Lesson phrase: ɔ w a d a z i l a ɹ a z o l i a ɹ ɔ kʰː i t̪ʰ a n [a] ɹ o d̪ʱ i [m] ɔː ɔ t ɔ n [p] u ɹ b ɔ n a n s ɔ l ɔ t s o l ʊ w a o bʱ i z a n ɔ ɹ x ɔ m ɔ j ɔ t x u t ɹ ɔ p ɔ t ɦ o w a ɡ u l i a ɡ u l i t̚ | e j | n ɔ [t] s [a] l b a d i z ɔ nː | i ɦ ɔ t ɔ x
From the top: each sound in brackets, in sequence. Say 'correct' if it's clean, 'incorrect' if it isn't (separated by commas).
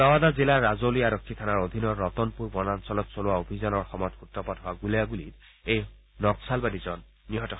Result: correct, incorrect, correct, incorrect, correct